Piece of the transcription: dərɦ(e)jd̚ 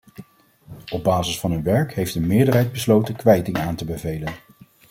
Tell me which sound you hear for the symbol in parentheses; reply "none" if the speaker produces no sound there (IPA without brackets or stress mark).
ɛ